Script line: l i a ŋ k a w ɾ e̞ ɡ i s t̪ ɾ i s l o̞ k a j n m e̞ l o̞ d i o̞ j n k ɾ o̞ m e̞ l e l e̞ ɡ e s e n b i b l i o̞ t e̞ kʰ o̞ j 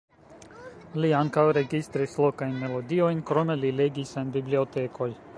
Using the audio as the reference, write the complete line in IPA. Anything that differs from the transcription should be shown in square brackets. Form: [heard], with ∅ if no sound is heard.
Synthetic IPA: l i a ŋ k a w ɾ e̞ ɡ i s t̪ ɾ i s l o̞ k a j n m e̞ l o̞ d i o̞ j n k ɾ o̞ m e̞ l [i] l e̞ ɡ [i] s e n b i b l i o̞ t e̞ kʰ o̞ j